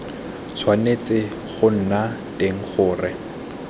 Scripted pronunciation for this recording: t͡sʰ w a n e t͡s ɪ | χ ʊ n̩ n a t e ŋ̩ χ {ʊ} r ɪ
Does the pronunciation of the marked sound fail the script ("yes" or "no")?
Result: yes